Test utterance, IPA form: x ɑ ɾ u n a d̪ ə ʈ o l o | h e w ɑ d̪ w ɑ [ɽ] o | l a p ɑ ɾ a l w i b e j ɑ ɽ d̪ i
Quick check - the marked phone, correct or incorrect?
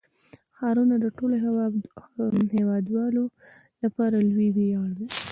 incorrect